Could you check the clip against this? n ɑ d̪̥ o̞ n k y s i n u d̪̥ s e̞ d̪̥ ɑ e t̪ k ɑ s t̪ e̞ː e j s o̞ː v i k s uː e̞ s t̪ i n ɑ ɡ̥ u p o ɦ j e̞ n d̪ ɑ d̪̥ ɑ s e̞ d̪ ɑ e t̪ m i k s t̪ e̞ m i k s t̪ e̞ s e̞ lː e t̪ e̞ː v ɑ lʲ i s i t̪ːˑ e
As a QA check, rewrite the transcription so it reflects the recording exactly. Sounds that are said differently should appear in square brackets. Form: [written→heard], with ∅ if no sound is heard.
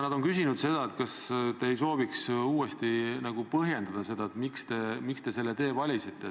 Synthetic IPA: n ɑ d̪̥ o̞ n k y s i n u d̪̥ s e̞ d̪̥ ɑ e t̪ k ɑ s t̪ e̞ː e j s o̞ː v i k s uː e̞ s t̪ i n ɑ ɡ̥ u p [o→ɤ] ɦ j e̞ n d̪ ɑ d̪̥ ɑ s e̞ d̪ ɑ e t̪ m i k s t̪ e̞ m i k s t̪ e̞ s e̞ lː e t̪ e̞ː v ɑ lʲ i s i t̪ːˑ e

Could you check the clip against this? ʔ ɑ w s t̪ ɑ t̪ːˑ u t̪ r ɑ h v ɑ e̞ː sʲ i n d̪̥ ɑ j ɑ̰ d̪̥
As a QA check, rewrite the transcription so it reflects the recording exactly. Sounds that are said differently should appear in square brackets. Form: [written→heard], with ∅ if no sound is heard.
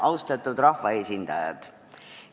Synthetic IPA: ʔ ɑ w s t̪ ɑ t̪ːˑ u [t̪→d̪] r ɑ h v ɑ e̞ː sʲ i n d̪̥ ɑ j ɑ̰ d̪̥

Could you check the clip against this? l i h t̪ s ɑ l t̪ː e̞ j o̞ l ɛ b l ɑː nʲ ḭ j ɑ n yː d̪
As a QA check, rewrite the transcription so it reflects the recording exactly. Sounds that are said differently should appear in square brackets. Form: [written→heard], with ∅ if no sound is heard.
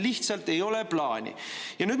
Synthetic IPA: l i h t̪ s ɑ l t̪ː e̞ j o̞ l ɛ [b→p] l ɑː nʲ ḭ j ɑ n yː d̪

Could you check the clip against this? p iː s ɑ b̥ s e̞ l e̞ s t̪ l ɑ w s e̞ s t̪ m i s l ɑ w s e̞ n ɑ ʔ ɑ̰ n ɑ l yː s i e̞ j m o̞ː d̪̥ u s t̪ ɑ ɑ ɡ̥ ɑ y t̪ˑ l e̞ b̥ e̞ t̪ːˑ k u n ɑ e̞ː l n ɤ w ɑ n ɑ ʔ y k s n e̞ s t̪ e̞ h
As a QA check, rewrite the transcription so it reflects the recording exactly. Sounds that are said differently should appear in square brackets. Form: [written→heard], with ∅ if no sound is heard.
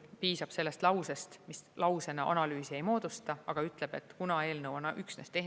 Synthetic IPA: p iː s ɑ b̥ s e̞ [l→lː] e̞ s t̪ l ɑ w s e̞ s t̪ m i s l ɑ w s e̞ n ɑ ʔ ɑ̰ n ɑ l yː s i e̞ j m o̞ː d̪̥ u s t̪ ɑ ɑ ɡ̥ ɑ y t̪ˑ l e̞ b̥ e̞ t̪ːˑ k u n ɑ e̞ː l n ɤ w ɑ n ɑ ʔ y k s n e̞ s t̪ e̞ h

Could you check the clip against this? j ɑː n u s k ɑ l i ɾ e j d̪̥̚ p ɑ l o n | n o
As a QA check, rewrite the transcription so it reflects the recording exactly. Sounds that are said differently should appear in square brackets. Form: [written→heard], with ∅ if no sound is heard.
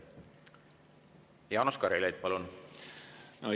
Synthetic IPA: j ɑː n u s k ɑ [l→ɾ] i [ɾ→l] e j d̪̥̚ p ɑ l [o→u] n | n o

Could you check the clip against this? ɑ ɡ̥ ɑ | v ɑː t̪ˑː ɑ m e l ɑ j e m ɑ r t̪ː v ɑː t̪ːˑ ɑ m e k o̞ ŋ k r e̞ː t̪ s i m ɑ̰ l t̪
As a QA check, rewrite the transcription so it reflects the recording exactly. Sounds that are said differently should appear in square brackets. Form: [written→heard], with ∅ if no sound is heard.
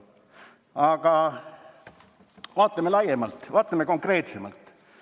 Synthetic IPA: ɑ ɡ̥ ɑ | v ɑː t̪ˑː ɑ m e l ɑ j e m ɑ [r→l] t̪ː v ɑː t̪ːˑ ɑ m e k o̞ ŋ k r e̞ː t̪ s [i→e] m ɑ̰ l t̪

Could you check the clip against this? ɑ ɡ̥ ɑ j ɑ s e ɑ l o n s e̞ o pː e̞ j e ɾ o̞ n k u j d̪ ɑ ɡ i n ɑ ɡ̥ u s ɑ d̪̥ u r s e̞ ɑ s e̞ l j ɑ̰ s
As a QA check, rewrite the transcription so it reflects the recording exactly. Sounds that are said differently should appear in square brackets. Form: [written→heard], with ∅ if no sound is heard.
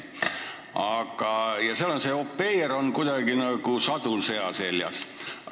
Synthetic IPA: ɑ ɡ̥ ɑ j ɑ s e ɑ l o n s e̞ o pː e̞ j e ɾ o̞ n k u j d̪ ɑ ɡ i n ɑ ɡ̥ u s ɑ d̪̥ u [r→l] s e̞ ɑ s e̞ l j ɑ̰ s

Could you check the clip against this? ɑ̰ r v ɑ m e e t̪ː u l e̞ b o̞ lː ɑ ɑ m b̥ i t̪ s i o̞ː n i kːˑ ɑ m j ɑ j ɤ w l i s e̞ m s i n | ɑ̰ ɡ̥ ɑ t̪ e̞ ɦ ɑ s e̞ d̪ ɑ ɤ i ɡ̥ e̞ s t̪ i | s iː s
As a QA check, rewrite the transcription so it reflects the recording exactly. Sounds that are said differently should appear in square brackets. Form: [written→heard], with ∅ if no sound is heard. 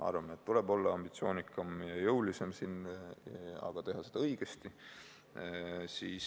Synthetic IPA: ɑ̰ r v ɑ m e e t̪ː u l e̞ b o̞ lː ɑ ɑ m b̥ i t̪ s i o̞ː n i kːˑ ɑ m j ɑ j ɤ w l i s e̞ m s i n | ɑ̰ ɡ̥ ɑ t̪ e̞ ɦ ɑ s e̞ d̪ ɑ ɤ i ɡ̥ e̞ s t̪ i | s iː s

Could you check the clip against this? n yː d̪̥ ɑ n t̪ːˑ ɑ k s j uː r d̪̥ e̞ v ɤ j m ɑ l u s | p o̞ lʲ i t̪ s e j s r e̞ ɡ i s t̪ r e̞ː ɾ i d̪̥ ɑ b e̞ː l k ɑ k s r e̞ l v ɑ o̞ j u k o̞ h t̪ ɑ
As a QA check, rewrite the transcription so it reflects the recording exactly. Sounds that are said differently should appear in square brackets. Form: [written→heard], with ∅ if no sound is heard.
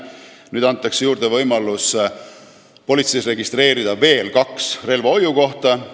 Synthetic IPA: n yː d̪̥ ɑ n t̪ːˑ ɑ k s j uː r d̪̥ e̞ v ɤ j m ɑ l u s | p o̞ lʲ i t̪ s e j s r e̞ ɡ i s t̪ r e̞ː ɾ i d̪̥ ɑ [b→v] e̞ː l k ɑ k s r e̞ l v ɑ o̞ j u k o̞ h t̪ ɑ

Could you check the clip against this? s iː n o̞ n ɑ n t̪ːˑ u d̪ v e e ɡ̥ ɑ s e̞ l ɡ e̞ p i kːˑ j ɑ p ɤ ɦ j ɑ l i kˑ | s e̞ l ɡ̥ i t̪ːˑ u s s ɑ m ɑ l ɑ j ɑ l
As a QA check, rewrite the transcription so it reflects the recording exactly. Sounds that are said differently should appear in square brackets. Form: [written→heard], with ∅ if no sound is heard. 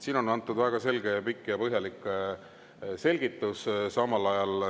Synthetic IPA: s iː n o̞ n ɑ n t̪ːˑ u d̪ v [e→æ] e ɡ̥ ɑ s e̞ l ɡ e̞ p i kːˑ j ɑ p ɤ ɦ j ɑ l i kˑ | s e̞ l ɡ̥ i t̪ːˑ u s s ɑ m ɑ l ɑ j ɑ l

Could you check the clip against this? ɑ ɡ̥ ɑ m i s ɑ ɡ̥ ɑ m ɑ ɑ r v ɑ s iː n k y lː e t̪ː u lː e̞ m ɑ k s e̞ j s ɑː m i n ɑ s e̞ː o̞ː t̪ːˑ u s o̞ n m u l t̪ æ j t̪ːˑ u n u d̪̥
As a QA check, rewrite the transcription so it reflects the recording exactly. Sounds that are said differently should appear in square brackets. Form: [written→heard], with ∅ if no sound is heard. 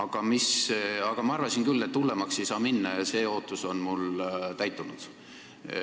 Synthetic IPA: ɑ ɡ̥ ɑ m i s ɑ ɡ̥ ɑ m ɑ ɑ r v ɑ s [iː→i] n k y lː e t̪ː u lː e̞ m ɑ k s e̞ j s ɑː m i [n→nː] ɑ s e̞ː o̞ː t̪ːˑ u s o̞ n m u l t̪ æ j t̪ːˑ u n u d̪̥

